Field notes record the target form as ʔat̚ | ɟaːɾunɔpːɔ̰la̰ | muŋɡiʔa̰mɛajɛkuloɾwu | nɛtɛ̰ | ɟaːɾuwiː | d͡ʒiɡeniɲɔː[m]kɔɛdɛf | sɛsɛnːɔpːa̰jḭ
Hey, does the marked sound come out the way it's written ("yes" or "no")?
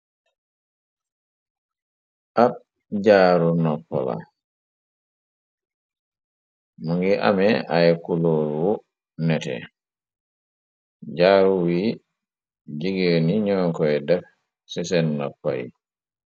no